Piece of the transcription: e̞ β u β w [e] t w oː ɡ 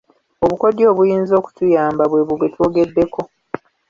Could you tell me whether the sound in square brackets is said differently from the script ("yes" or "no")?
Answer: no